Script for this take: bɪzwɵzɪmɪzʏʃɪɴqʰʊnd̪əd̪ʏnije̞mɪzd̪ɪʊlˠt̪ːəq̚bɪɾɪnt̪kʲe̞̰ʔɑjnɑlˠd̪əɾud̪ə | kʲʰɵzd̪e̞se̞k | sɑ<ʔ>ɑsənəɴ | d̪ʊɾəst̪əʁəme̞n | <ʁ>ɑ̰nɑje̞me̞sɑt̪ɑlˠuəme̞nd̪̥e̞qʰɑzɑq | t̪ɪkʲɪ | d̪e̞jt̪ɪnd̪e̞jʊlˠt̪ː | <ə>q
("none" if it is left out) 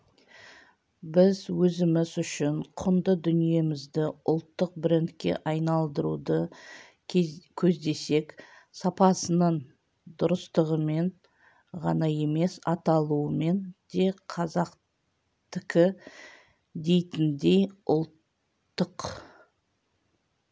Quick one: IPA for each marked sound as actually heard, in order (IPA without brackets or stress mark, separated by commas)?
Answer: p, ʁ, ə